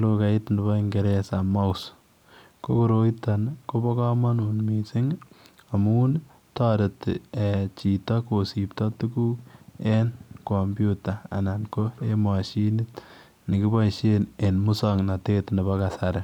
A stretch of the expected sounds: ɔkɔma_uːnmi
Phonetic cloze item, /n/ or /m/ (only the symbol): n